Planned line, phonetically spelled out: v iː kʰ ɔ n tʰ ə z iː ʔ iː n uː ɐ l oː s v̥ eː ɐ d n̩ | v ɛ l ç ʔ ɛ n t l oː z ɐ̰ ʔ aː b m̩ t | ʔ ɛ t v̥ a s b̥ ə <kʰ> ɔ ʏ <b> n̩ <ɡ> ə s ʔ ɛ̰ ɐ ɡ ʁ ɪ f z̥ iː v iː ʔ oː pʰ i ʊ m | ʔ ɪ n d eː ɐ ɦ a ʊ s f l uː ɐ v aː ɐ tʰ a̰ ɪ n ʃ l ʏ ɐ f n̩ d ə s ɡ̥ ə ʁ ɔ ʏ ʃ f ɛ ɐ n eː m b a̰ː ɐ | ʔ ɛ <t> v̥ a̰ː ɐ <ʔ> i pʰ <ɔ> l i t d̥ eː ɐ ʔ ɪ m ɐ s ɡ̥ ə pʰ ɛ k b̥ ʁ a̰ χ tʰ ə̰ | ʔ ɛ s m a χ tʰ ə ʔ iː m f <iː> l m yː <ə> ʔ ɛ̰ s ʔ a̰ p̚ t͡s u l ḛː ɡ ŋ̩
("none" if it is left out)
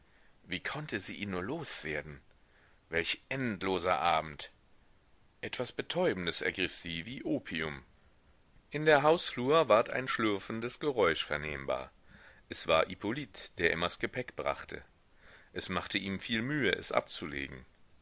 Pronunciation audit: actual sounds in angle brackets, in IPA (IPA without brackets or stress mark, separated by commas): tʰ, b, d, s, ʔ, o, iː, ə